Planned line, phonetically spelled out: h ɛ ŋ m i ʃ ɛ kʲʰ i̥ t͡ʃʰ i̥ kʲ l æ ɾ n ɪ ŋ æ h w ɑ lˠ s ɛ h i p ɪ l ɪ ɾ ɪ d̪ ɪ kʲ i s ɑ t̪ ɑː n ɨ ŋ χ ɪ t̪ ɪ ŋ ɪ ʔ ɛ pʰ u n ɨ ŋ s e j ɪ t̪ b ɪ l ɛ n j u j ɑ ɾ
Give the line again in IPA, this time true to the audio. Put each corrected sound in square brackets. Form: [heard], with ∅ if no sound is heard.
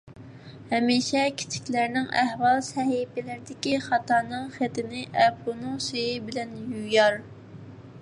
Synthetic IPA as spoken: h ɛ [∅] m i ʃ ɛ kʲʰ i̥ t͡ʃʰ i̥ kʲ l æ ɾ n ɪ ŋ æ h w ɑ lˠ s ɛ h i p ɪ l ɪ ɾ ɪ d̪ ɪ kʲ i [χ] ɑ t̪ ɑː n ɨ ŋ χ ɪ t̪ ɪ [n] ɪ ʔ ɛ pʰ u n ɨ ŋ s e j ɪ [∅] b ɪ l ɛ n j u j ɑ ɾ